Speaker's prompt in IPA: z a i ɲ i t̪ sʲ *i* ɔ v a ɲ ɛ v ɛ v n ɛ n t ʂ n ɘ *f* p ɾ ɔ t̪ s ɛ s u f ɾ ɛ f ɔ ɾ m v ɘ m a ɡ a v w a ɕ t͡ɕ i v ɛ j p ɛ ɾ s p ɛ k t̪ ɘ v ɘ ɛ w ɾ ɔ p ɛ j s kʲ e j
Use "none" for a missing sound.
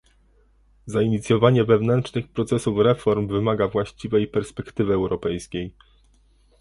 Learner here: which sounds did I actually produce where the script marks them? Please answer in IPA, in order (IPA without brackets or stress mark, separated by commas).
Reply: j, x